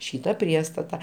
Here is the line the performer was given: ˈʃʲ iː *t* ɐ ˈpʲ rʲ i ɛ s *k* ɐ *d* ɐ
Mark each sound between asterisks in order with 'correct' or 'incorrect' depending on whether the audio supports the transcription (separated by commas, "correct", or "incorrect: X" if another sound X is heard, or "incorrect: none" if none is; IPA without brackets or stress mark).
correct, incorrect: t, incorrect: t